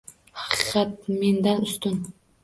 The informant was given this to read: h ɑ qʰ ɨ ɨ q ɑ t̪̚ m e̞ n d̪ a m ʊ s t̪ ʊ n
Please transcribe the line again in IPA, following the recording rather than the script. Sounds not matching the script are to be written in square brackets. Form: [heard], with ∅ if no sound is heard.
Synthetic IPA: h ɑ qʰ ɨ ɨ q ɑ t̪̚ m e̞ n d̪ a [n] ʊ s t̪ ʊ n